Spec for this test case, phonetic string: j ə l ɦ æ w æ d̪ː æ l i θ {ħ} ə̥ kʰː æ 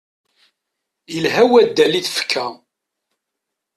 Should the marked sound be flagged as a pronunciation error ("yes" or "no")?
yes